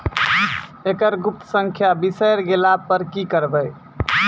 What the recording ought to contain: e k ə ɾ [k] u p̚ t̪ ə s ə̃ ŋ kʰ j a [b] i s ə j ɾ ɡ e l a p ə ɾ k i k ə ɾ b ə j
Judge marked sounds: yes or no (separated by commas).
no, yes